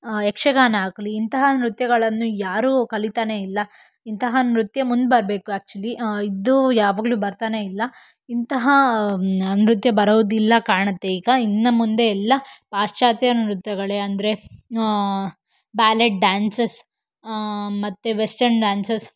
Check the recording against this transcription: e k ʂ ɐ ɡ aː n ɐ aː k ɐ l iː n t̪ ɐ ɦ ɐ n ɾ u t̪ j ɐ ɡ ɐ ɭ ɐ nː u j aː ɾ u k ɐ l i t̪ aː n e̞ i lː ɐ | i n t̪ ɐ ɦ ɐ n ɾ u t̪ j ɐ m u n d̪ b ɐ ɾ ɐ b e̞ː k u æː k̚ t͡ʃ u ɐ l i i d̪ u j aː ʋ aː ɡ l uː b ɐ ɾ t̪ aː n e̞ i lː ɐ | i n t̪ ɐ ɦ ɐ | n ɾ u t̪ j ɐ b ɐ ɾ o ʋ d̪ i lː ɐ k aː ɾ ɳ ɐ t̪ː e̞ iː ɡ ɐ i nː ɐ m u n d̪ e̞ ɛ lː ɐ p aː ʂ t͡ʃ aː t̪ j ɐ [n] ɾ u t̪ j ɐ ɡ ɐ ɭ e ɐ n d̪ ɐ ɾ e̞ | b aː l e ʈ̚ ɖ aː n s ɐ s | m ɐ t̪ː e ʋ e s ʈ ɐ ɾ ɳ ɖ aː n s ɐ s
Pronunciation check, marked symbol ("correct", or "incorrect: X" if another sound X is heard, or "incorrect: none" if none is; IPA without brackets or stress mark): correct